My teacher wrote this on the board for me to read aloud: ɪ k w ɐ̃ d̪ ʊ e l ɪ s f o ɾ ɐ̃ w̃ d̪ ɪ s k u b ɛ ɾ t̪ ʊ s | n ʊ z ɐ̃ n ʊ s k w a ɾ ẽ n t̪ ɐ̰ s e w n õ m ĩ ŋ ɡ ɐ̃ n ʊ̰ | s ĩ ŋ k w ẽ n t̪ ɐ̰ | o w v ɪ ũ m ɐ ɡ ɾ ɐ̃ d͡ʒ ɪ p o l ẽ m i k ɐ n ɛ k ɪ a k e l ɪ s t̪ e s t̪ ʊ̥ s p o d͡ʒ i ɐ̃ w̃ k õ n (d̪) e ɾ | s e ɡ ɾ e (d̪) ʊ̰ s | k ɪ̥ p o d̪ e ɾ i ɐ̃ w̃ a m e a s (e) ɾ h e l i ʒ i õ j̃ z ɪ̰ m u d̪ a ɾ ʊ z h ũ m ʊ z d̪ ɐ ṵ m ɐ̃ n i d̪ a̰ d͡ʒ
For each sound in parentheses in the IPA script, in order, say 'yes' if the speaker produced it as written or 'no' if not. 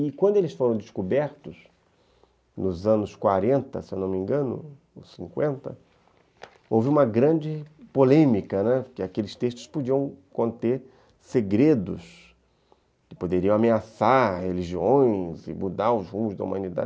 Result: no, yes, no

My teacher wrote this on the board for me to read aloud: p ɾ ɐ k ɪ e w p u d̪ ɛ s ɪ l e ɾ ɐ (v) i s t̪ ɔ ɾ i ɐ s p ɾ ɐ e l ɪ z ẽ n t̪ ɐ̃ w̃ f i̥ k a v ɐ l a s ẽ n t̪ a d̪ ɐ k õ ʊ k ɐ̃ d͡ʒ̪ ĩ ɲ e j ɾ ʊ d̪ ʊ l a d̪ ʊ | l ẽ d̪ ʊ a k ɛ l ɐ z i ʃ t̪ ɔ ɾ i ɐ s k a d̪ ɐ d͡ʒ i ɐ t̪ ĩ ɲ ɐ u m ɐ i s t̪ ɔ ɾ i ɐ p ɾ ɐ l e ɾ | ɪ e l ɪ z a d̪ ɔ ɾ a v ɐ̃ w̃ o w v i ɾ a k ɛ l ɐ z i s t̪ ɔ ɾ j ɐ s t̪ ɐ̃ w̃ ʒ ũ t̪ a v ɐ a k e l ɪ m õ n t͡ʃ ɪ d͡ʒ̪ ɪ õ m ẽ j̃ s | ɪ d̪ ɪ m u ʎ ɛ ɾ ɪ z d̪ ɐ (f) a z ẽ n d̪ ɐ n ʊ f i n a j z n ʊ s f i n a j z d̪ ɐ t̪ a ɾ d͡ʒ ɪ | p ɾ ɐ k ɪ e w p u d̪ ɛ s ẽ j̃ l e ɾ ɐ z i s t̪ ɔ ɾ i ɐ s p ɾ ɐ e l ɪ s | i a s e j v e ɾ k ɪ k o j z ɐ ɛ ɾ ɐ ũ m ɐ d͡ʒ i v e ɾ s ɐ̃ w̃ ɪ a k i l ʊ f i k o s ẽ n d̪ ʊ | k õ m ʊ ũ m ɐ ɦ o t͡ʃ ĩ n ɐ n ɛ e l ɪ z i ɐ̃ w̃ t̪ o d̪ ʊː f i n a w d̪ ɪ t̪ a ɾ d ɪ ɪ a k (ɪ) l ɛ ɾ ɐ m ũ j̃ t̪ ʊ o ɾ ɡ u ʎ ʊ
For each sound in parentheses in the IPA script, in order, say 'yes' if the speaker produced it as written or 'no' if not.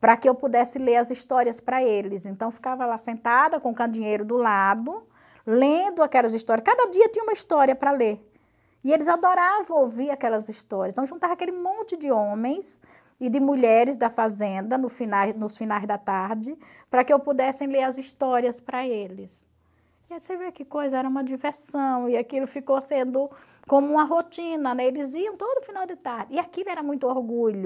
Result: no, yes, no

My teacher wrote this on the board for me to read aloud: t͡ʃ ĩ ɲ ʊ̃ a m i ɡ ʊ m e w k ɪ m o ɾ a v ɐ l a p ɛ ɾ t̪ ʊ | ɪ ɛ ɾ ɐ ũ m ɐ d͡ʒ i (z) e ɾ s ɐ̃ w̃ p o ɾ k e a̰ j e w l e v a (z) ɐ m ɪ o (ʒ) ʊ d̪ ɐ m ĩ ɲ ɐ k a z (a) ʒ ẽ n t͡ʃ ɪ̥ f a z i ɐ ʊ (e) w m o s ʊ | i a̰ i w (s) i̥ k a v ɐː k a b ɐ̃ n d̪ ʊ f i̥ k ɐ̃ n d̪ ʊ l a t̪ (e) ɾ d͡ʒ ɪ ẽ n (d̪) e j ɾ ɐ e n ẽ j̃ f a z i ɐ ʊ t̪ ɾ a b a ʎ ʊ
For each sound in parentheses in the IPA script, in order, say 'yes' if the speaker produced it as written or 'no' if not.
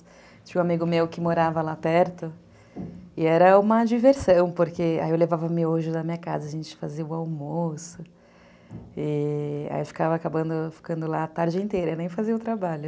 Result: no, no, yes, no, no, no, no, no

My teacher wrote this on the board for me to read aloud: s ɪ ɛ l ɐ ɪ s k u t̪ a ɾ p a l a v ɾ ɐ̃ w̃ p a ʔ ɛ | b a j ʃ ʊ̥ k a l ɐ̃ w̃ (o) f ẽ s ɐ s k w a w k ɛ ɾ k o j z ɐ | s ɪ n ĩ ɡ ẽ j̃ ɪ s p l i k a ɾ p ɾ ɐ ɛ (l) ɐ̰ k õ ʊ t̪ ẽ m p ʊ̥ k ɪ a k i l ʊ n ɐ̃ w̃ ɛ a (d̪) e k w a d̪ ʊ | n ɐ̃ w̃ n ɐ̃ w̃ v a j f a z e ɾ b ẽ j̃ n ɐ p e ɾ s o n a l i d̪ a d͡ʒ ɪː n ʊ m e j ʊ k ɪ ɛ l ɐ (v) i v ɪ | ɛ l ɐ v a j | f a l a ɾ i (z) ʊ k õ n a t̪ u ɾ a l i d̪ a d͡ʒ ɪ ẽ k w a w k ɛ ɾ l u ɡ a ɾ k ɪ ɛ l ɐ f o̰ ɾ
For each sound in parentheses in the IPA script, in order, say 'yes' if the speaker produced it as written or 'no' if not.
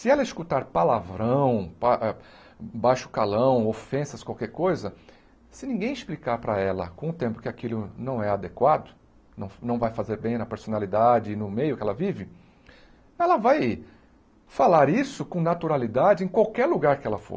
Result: yes, yes, yes, yes, no

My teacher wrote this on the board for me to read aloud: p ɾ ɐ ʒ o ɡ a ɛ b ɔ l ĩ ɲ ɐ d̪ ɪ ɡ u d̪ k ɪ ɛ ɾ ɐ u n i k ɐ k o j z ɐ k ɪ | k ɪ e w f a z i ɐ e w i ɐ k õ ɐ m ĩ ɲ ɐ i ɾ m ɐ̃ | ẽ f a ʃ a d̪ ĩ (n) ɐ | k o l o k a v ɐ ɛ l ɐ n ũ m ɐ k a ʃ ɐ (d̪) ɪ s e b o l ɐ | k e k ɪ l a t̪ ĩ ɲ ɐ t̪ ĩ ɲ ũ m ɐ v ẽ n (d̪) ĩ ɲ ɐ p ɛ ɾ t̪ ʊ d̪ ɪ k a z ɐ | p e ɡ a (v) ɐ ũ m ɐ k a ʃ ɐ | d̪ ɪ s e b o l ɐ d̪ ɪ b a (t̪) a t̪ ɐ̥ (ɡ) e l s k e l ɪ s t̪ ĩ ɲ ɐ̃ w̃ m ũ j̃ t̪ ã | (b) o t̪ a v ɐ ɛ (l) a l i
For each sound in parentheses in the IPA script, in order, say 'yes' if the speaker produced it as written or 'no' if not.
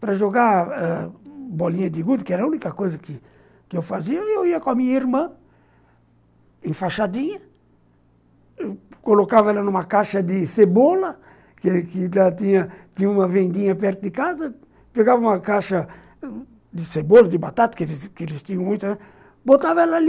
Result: no, yes, yes, yes, yes, no, yes, yes

